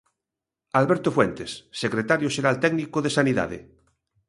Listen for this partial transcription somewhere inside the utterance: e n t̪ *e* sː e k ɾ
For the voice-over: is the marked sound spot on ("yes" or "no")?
yes